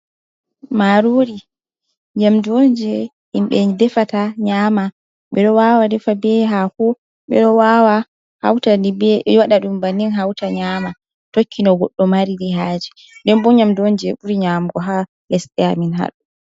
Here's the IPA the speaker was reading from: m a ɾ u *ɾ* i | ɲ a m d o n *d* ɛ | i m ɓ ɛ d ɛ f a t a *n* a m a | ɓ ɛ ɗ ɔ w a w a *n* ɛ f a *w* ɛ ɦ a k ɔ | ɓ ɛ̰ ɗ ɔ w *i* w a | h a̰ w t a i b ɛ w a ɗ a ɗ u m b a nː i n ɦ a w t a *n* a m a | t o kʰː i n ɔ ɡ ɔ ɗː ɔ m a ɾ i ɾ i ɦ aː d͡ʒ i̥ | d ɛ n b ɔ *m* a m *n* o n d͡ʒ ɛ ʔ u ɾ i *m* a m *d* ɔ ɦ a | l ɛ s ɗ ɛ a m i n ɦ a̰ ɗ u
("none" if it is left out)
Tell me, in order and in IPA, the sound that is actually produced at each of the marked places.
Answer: ɾ, d͡ʒ, ɲ, d, b, a, ɲ, ɲ, d, ɲ, ɡ

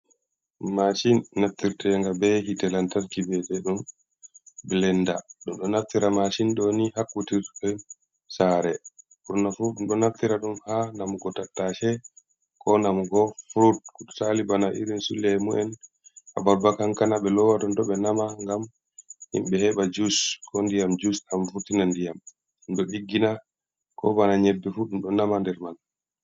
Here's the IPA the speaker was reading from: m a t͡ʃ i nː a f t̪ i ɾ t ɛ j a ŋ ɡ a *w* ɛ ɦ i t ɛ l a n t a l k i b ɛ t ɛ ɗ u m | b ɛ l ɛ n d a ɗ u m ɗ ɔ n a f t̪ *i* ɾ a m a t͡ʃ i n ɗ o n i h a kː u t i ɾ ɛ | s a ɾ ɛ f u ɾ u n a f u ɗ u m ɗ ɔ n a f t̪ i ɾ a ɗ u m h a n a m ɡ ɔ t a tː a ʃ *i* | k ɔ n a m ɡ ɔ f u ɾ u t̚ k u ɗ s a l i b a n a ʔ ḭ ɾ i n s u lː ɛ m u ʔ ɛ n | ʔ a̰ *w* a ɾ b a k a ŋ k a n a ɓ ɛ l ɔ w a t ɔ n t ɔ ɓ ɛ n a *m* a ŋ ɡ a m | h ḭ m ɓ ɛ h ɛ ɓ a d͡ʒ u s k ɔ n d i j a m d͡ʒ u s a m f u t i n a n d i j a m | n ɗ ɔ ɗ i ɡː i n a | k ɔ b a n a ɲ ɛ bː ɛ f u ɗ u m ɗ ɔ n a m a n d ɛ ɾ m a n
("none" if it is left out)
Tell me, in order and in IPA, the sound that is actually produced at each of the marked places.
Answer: b, i, ɛ, b, m

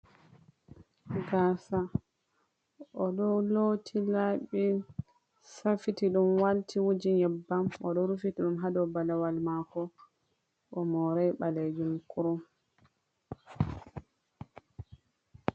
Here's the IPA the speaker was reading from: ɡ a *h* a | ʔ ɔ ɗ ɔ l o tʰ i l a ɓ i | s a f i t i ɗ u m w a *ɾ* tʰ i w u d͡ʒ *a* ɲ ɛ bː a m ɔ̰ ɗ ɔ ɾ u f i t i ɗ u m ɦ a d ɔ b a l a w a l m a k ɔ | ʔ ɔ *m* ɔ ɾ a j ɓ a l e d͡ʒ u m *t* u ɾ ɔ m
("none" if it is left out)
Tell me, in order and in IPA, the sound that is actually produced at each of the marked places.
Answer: s, l, i, m, k

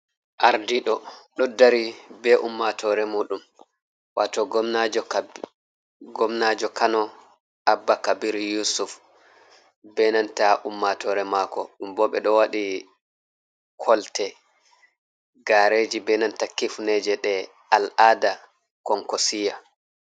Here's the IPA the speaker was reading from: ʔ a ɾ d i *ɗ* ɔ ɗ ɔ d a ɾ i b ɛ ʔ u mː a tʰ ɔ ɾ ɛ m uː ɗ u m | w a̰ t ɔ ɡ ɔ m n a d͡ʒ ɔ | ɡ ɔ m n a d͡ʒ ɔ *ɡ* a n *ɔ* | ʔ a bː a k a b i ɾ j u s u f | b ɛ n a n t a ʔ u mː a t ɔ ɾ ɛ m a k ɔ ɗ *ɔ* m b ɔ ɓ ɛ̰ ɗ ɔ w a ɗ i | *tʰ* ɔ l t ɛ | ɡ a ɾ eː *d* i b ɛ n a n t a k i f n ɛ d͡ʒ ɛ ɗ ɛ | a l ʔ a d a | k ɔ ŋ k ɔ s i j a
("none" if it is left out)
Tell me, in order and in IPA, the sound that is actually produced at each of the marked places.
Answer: ɗ, k, ɔ, u, kʰ, d͡ʒ

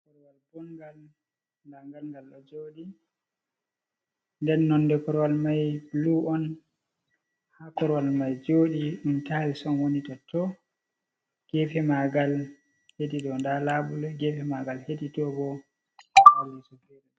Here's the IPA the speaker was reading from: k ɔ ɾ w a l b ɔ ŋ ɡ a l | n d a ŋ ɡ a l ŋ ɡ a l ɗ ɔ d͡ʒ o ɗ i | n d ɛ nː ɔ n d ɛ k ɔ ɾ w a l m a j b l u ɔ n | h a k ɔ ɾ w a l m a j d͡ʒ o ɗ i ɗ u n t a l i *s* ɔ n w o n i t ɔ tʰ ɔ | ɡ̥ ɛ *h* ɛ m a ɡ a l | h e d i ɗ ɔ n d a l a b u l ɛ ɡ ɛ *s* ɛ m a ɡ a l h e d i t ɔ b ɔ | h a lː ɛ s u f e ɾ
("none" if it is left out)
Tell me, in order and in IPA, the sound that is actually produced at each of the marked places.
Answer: s, f, f

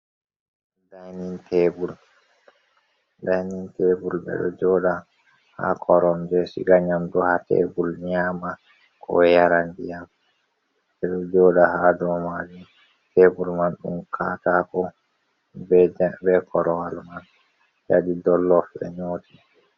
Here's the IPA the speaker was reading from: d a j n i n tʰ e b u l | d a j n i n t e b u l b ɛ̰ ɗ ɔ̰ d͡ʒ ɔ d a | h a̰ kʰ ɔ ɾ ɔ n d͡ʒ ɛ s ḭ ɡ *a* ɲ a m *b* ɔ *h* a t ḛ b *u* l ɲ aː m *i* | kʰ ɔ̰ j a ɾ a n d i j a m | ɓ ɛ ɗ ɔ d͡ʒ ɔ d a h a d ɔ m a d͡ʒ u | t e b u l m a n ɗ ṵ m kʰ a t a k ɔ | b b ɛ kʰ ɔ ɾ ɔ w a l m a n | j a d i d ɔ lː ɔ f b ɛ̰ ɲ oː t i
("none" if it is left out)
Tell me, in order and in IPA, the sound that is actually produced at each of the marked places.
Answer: a, d, h, u, a

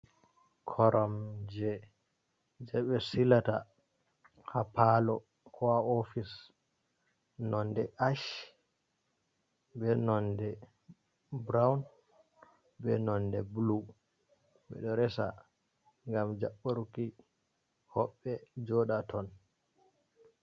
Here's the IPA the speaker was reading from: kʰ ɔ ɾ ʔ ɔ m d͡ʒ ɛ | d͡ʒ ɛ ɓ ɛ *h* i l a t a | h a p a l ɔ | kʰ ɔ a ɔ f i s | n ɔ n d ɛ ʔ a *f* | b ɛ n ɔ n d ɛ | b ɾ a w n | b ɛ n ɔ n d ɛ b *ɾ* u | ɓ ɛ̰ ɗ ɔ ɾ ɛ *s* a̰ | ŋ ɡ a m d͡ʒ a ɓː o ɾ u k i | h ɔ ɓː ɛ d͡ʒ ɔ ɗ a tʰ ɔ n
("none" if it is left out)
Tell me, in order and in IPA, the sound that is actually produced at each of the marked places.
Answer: s, ʃ, l, s

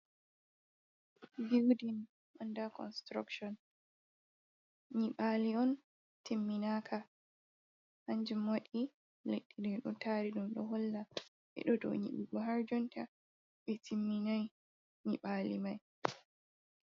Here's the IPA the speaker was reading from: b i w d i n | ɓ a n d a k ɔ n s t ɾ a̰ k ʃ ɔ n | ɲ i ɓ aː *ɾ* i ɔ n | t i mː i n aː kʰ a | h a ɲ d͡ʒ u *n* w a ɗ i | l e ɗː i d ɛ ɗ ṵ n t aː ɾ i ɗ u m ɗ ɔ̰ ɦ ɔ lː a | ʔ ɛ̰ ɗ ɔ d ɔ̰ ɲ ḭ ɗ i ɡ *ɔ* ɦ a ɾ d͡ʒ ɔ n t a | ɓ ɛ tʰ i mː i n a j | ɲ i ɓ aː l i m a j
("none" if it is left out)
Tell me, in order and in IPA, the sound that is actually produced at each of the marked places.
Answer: l, m, ɔ

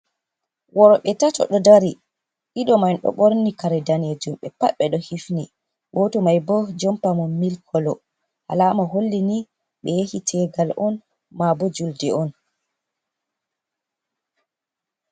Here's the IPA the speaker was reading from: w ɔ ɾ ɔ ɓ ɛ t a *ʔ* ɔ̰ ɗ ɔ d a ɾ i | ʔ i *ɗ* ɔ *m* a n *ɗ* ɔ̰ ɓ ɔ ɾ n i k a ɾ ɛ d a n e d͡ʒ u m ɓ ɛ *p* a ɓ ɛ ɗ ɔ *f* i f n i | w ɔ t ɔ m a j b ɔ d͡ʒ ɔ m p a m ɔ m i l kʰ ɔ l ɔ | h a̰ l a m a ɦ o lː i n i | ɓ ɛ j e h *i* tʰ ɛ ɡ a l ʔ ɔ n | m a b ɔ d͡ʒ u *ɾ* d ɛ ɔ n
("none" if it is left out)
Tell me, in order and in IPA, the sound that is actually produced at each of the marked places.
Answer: t, ɗ, m, ɗ, p, h, i, l

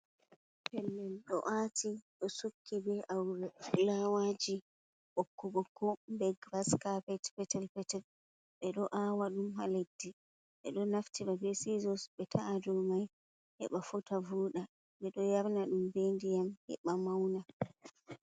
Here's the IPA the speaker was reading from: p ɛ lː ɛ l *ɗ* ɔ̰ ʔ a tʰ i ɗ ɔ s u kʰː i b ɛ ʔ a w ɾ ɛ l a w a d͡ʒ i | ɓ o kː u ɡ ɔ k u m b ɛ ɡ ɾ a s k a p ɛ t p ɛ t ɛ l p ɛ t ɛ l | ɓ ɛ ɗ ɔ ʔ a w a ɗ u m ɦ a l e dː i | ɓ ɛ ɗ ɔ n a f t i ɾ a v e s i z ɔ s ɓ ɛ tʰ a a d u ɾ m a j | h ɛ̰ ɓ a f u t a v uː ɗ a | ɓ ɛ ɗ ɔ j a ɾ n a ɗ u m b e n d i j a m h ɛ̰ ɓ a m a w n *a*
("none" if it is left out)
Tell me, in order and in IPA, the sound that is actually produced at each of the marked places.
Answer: ɗ, a

